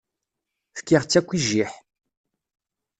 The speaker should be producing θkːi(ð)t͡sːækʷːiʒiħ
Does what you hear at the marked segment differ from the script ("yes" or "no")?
yes